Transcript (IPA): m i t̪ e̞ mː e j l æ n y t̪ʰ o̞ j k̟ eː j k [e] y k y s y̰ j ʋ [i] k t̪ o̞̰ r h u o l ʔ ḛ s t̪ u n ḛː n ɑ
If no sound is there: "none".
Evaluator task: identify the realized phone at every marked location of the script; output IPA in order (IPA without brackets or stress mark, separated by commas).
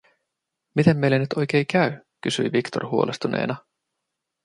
æ, i